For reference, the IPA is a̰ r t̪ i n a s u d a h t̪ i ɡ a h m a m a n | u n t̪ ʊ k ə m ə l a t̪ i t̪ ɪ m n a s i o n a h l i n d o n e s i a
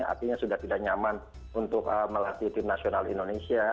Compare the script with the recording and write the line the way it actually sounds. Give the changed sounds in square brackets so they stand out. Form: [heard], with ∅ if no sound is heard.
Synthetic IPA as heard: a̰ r t̪ i [ɲ] a s u d a h t̪ i [d] a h [ɲ] a m a n | u n t̪ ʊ k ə m ə l a t̪ i t̪ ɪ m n a s i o n a [∅] l i n d o n e s i a